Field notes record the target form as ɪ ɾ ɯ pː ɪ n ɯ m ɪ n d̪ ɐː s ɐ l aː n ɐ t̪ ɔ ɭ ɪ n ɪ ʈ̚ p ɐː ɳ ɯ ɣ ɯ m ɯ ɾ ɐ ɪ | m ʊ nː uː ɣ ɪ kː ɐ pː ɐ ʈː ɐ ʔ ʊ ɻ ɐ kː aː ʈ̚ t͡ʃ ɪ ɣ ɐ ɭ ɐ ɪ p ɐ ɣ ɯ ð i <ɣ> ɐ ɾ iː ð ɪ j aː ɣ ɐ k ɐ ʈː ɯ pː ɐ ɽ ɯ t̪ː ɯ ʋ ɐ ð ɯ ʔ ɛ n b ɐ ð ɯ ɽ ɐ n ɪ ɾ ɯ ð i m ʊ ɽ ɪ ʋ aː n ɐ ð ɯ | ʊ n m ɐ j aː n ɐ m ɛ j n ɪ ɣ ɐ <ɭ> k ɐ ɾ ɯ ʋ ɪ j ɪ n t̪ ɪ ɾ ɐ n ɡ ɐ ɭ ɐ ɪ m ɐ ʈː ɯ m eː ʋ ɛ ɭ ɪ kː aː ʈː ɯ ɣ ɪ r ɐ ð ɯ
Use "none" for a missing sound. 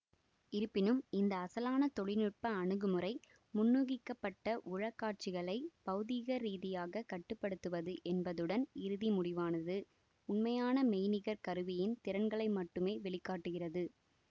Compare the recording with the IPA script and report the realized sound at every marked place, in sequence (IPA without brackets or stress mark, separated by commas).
ɣ, ɾ